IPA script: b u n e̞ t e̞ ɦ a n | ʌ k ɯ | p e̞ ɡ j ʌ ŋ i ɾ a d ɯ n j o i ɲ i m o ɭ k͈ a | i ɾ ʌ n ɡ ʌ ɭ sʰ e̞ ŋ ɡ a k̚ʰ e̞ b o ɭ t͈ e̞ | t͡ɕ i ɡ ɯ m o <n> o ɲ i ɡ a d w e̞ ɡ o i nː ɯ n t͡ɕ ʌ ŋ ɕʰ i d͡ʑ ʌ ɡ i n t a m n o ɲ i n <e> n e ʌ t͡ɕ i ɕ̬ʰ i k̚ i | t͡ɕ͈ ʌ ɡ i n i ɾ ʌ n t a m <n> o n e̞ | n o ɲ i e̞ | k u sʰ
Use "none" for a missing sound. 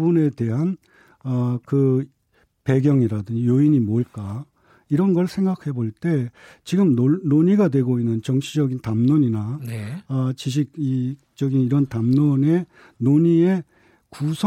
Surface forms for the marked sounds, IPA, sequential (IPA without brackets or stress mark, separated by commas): n, a, n